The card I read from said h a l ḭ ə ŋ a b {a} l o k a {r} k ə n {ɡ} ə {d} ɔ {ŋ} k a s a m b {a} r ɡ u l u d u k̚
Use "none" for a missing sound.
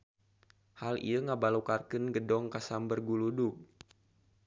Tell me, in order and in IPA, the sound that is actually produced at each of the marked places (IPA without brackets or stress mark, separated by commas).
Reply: a, r, ɡ, d, ŋ, ə